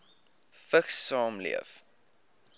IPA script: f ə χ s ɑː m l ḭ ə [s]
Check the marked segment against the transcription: incorrect: f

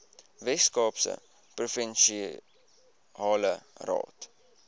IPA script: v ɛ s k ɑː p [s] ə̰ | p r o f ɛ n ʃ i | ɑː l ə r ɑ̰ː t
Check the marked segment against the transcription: correct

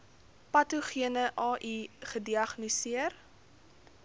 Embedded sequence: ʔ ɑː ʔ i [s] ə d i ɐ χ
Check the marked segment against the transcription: incorrect: χ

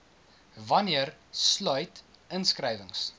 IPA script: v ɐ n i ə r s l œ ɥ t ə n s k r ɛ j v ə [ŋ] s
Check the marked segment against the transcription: correct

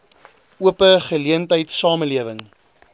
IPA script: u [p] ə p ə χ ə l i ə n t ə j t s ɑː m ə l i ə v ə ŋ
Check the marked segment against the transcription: incorrect: none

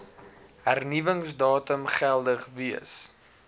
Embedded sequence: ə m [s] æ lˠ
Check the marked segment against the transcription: incorrect: χ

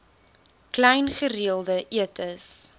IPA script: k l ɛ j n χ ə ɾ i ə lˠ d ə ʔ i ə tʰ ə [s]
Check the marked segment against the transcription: correct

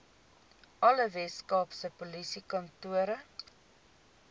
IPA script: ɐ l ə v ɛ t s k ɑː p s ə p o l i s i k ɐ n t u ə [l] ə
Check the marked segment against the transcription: incorrect: ɾ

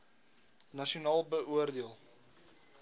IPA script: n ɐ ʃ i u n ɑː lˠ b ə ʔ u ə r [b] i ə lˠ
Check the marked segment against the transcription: incorrect: d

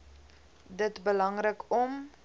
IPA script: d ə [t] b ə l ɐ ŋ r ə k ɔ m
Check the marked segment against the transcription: correct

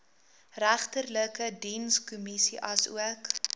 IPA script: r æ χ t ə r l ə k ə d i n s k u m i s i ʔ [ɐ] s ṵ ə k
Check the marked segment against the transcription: correct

